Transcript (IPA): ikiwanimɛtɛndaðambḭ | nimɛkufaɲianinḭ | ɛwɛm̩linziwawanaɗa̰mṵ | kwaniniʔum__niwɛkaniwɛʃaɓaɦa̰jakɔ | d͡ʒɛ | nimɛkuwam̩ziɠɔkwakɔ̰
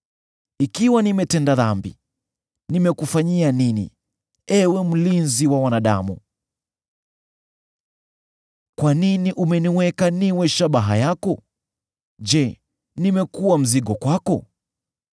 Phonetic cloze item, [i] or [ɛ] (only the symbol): ɛ